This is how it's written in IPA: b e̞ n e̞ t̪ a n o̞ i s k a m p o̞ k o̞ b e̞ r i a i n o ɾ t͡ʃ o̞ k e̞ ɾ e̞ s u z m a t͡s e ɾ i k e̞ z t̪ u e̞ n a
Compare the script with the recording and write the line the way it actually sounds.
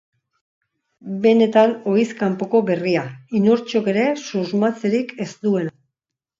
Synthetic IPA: b e̞ n e̞ t̪ a n o̞ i s k a m p o̞ k o̞ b e̞ r i a i n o ɾ t͡ʃ o̞ k e̞ ɾ e̞ s u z m a t͡s e ɾ i k e̞ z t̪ u e̞ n a